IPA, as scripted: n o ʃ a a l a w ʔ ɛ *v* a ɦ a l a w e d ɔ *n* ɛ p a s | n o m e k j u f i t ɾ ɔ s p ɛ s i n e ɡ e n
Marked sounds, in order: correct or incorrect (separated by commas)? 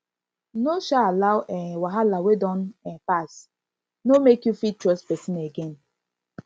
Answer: incorrect, correct